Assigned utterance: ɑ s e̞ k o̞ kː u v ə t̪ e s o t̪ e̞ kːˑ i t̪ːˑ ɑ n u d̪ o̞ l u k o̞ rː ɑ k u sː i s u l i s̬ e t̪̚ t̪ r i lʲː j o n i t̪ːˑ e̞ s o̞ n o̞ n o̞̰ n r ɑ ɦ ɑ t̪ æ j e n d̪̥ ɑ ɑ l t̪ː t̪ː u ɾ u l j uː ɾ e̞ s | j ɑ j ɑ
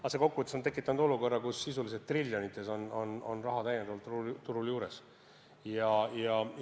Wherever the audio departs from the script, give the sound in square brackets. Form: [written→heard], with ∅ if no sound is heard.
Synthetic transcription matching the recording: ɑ s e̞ k o̞ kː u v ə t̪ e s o t̪ e̞ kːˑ i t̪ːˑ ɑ n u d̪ o̞ l u k o̞ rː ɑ k u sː i s u l i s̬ e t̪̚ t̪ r i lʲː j o n i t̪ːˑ e̞ s o̞ n o̞ n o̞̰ n r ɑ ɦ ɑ t̪ æ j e n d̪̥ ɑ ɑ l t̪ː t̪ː u ɾ u l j uː ɾ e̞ s | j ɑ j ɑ